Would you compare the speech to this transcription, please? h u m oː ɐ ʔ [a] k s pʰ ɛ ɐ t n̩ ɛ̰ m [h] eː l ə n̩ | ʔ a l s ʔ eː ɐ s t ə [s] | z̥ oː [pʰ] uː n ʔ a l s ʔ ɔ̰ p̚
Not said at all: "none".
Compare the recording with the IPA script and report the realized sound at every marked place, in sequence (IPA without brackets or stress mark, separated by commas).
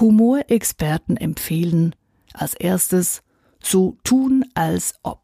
ɛ, f, s, tʰ